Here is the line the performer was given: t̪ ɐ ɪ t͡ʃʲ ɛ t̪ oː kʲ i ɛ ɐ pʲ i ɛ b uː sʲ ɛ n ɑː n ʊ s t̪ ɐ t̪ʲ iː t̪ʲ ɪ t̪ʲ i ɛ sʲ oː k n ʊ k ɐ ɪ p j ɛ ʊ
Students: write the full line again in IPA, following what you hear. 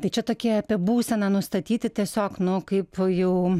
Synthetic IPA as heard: t̪ ɐ ɪ t͡ʃʲ ɛ t̪ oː kʲ i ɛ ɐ pʲ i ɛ b uː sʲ ɛ n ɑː n ʊ s t̪ ɐ t̪ʲ iː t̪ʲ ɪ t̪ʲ i ɛ sʲ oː k n ʊ k ɐ ɪ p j ɛ ʊ

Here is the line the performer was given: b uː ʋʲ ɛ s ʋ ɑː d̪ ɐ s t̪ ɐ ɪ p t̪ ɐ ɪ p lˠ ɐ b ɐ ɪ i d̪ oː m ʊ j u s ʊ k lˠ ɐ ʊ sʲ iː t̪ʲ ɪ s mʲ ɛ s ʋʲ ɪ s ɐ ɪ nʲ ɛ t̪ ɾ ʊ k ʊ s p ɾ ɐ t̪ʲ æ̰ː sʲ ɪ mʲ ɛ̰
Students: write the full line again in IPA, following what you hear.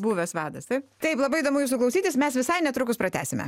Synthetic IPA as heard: b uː ʋʲ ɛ s ʋ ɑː d̪ ɐ s t̪ ɐ ɪ p t̪ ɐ ɪ p lˠ ɐ b ɐ ɪ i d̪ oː m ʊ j u s ʊ k lˠ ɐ ʊ sʲ iː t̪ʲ ɪ s mʲ ɛ s ʋʲ ɪ s ɐ ɪ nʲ ɛ t̪ ɾ ʊ k ʊ s p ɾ ɐ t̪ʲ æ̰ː sʲ ɪ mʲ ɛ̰

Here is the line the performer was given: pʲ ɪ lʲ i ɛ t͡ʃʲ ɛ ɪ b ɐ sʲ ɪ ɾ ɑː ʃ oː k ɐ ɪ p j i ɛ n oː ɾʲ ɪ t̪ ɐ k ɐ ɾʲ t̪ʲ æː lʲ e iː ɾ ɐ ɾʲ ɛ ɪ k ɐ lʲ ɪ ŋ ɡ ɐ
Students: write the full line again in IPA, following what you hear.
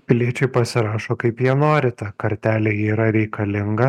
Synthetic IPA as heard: pʲ ɪ lʲ i ɛ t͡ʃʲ ɛ ɪ p ɐ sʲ ɪ ɾ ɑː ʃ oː k ɐ ɪ p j i ɛ n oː ɾʲ ɪ t̪ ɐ k ɐ ɾʲ t̪ʲ æː lʲ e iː ɾ ɐ ɾʲ ɛ ɪ k ɐ lʲ ɪ ŋ ɡ ɐ

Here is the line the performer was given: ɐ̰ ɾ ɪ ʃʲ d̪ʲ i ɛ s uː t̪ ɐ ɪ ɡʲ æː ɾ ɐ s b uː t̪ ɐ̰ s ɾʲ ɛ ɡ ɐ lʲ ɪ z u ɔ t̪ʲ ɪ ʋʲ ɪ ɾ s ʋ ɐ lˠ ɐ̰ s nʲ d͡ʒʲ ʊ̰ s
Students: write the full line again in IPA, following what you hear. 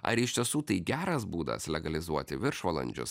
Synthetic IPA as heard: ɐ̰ ɾ ɪ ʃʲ t̪ʲ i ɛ s uː t̪ ɐ ɪ ɡʲ æː ɾ ɐ s b uː d̪ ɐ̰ s lʲ ɛ ɡ ɐ lʲ ɪ z u ɔ t̪ʲ ɪ ʋʲ ɪ ɾ ʃ ʋ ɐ lˠ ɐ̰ nʲ d͡ʒʲ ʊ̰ s

